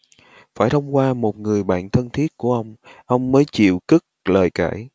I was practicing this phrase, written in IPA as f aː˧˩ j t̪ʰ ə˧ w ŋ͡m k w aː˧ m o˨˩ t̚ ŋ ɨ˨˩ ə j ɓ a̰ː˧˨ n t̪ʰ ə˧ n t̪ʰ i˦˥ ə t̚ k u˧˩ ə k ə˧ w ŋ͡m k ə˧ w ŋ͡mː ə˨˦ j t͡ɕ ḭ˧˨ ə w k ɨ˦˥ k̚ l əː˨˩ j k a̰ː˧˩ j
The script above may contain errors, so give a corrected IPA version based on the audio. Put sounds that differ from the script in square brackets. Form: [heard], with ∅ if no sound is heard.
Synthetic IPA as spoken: f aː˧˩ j t̪ʰ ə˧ w ŋ͡m k w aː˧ m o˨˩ t̚ ŋ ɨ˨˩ ə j ɓ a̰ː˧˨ n t̪ʰ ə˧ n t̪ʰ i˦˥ ə t̚ k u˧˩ ə [ʔ] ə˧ w ŋ͡m [ʔ] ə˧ w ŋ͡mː [əː˨˦] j t͡ɕ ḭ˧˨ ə w k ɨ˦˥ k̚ l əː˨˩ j k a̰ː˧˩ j